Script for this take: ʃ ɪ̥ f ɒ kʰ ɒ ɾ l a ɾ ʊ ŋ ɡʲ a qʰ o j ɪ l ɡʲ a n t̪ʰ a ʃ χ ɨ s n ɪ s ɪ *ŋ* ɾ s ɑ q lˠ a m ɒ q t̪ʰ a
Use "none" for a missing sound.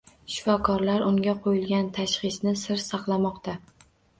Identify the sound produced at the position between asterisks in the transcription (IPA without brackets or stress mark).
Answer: none